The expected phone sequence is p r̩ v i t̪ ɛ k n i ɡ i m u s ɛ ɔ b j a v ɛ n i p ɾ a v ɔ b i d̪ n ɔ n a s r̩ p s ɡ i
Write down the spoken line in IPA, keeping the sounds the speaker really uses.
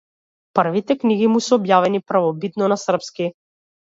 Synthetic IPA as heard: p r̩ v i t̪ ɛ k n i ɡ i m u s ɛ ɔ b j a v ɛ n i p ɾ a v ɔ b i t̪ n ɔ n a s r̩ p s k i